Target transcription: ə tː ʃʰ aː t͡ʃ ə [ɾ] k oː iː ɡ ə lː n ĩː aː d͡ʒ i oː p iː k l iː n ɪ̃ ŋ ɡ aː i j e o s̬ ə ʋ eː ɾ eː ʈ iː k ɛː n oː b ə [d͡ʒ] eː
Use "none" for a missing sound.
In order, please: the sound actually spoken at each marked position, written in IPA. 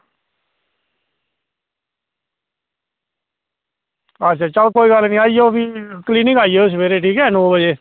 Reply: l, d͡ʒ

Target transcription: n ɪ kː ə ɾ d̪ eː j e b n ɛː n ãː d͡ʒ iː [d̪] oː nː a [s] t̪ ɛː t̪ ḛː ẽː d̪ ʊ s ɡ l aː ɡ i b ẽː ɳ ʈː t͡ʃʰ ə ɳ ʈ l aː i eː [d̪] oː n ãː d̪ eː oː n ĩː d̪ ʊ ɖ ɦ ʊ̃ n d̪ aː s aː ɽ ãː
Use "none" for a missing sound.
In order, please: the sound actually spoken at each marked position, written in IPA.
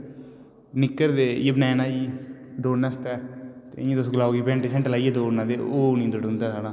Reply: d̪, s, d̪

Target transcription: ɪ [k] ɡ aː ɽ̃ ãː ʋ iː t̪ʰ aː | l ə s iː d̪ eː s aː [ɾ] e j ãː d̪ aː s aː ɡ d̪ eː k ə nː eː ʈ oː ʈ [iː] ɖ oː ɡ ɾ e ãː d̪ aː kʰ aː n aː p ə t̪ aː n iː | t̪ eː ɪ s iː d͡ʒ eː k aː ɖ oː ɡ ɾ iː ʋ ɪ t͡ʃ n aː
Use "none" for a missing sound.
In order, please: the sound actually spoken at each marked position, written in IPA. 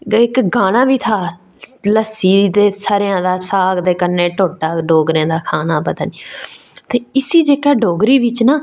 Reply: k, ɾ, aː

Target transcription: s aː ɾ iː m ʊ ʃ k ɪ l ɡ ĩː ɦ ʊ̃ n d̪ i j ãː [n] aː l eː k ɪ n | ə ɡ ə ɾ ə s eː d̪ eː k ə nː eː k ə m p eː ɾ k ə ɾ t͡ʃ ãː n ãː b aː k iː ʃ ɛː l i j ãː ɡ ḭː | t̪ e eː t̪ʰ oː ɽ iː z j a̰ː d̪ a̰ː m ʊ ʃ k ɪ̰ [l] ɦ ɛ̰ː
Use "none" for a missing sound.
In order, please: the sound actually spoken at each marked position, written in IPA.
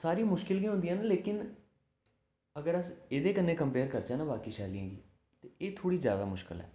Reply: n, l

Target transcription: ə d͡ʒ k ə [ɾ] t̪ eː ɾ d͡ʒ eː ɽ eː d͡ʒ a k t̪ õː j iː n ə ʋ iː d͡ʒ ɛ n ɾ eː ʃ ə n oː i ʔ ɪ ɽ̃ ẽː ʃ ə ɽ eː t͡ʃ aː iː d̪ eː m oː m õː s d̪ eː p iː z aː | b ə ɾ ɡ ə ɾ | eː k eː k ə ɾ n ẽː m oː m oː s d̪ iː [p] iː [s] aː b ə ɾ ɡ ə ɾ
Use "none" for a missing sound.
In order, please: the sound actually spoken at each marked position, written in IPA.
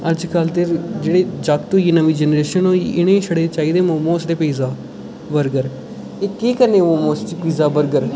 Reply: l, p, z

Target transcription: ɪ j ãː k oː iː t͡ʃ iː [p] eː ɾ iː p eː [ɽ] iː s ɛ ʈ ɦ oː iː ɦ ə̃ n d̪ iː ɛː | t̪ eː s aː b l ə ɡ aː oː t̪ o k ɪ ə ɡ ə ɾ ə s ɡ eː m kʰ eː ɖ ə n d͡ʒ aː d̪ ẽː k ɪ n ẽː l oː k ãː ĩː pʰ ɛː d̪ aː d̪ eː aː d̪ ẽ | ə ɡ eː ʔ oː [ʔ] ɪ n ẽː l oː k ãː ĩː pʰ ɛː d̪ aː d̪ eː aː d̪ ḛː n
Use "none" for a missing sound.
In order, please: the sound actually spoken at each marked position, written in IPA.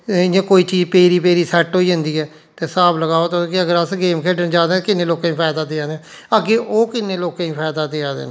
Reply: p, ɾ, k

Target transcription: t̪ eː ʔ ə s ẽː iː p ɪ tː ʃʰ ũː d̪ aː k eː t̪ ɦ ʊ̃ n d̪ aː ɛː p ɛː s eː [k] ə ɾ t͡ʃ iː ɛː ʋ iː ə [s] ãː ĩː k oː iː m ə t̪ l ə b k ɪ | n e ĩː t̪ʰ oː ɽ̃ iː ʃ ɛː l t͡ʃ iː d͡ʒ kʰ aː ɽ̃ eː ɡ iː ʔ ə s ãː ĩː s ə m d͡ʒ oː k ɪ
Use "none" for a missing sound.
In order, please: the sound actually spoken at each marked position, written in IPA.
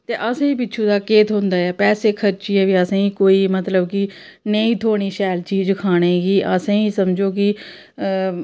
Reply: kʰ, s

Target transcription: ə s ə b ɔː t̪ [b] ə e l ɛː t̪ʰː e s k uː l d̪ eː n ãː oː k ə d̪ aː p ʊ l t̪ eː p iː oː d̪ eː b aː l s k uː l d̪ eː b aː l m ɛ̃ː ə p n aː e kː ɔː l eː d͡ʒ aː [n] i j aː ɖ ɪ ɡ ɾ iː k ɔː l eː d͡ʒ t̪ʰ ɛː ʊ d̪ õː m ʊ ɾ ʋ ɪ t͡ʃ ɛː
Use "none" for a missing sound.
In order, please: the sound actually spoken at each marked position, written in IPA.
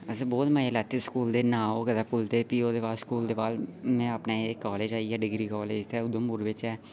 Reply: m, none

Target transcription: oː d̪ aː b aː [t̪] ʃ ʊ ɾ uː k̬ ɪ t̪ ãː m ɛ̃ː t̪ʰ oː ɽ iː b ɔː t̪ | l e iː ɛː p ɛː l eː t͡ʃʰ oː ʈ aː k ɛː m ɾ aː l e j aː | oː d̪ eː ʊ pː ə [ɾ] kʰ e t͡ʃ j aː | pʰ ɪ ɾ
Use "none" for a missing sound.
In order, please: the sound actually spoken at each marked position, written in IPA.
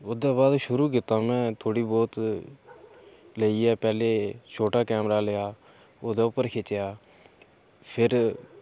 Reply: d̪, ɾ

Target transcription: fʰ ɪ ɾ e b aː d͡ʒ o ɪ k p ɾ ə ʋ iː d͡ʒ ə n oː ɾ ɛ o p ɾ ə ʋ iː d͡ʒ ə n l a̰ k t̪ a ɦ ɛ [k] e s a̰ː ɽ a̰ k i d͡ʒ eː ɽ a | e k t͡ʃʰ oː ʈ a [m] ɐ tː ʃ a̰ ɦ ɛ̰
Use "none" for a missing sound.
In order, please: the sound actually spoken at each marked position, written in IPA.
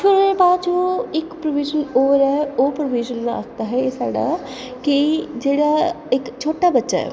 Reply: none, b

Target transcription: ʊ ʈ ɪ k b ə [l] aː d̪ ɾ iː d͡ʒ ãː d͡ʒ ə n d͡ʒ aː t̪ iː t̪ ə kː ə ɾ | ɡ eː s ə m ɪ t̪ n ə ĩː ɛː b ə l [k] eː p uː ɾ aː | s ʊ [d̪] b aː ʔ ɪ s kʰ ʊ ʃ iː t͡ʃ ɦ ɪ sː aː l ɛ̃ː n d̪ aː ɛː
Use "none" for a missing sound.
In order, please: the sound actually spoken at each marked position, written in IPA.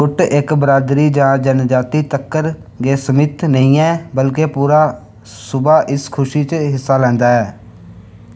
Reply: ɾ, k, none

